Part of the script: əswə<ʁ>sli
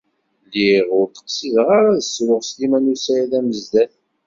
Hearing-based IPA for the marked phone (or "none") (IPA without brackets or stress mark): ʁ